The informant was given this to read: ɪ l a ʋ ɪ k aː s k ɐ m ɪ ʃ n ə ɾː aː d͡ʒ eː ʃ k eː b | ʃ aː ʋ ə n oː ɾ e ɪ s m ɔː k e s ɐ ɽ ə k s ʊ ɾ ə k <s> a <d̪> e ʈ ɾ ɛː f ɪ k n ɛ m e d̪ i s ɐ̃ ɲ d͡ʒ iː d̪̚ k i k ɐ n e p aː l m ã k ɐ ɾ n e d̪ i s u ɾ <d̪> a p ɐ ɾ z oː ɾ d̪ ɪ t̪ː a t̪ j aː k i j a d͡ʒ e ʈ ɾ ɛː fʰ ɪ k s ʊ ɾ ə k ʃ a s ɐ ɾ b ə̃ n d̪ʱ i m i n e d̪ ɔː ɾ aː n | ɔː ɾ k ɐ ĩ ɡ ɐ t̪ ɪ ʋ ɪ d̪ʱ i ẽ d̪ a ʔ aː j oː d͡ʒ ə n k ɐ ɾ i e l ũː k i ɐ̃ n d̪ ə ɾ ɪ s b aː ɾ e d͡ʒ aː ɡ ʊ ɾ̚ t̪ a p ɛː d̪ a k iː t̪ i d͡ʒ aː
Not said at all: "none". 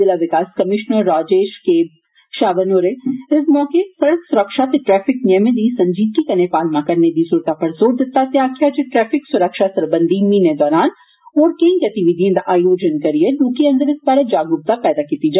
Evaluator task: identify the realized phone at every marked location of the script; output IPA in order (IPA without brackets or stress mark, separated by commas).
ʃ, t̪, t̪